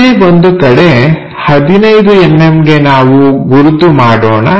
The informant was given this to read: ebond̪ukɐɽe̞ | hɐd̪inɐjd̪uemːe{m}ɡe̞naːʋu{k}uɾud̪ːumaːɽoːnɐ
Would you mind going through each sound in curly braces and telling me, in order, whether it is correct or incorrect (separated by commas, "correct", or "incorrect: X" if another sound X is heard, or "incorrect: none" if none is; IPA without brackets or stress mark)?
correct, incorrect: ɡ